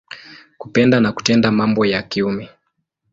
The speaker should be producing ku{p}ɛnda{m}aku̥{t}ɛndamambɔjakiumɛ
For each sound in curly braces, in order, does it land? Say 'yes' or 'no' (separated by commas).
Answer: yes, no, yes